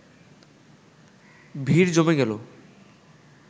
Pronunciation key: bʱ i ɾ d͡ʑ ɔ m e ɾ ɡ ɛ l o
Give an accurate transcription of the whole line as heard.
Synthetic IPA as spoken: bʱ i ɾ d͡ʑ o m e ɡ ɛ l o

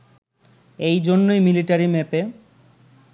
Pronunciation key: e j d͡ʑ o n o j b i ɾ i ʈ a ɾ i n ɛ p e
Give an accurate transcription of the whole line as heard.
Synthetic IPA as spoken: e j d͡ʑ o nː o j m i l i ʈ a ɾ i m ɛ p e

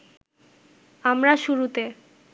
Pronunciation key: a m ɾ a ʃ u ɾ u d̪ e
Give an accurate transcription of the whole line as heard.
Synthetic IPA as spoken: a m ɾ a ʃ u ɾ u t̪ e

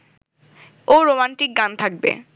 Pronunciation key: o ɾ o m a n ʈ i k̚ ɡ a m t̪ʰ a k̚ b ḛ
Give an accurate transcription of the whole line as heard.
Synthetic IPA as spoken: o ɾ o m a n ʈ i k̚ ɡ a n t̪ʰ a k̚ b ḛ

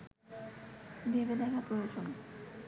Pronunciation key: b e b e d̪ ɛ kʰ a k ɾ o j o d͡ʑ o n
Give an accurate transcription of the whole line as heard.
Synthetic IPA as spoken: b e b e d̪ ɛ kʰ a p ɾ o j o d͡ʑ o n

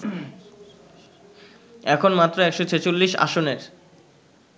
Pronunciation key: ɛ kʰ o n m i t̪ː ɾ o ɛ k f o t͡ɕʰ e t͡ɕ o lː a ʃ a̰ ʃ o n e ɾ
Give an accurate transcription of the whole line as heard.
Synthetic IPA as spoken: ɛ kʰ o n m a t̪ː ɾ o ɛ k ʃ o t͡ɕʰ e t͡ɕ o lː i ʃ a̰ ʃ o n e ɾ

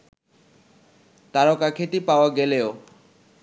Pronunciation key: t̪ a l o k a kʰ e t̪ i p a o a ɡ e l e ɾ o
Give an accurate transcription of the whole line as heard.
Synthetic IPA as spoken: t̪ a ɾ o k a kʰ e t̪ i p a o a ɡ e l e o

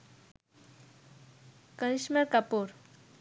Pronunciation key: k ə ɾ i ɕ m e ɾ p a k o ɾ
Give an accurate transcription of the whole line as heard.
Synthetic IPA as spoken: k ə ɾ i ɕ m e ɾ k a p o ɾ

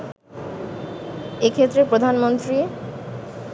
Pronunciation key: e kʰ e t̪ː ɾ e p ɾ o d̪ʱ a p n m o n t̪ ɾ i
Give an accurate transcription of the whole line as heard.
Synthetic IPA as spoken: e kʰ e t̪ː ɾ e p ɾ o d̪ʱ a n m o n t̪ ɾ i

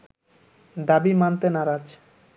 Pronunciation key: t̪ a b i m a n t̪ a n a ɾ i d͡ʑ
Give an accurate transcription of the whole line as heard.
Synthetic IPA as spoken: d̪ a b i m a n t̪ e n a ɾ a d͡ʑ

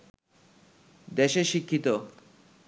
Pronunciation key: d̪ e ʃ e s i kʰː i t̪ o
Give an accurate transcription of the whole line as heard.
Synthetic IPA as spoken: d̪ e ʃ e ʃ i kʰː i t̪ o

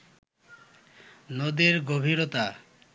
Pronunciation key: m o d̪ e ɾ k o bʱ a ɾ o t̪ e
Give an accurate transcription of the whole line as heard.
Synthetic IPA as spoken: n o d̪ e ɾ ɡ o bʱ i ɾ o t̪ a

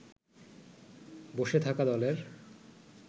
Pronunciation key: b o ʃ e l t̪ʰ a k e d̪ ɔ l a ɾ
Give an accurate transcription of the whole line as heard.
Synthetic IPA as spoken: b o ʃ e t̪ʰ a k a d̪ ɔ l e ɾ

